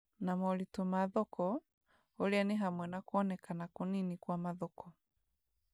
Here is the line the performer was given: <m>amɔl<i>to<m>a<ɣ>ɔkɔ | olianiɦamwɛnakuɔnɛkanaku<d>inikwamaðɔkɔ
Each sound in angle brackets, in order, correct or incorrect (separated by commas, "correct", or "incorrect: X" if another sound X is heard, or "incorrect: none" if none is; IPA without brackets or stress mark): incorrect: n, correct, correct, incorrect: ð, incorrect: n